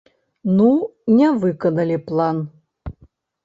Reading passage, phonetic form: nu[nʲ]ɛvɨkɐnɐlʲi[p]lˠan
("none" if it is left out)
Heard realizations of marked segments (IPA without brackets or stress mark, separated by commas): nʲ, p